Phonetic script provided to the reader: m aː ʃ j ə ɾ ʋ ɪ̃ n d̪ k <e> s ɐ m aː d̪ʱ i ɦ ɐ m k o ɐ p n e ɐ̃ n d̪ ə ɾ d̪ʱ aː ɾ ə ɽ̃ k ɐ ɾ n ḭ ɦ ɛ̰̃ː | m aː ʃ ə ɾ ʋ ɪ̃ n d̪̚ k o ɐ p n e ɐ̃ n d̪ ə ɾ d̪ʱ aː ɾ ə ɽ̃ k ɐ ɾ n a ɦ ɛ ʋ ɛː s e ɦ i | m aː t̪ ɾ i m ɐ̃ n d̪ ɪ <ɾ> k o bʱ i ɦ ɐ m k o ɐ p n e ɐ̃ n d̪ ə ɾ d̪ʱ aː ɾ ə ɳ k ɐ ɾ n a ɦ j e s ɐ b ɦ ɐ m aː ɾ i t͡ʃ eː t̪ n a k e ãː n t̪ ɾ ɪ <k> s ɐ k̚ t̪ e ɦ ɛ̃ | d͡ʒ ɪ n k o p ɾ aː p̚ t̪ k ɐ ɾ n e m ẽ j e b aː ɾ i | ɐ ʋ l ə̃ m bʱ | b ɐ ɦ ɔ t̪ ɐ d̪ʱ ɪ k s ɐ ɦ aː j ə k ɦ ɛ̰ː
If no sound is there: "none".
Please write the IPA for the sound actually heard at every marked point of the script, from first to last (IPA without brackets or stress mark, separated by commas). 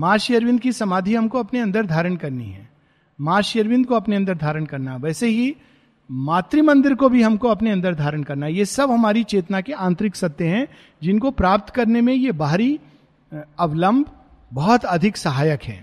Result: i, ɾ, k